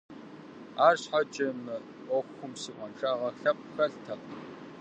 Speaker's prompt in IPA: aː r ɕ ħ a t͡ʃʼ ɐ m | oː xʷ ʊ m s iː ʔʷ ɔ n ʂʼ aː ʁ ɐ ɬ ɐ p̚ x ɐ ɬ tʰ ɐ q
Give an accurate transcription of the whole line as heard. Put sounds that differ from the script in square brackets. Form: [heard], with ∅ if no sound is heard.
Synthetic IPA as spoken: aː r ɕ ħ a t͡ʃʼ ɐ m | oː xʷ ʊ m s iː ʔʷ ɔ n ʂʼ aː ʁ ɐ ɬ ɐ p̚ x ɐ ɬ tʰ ɐ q